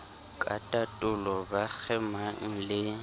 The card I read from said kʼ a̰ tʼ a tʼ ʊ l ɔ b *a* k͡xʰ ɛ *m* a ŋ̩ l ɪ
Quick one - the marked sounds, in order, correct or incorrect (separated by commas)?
correct, correct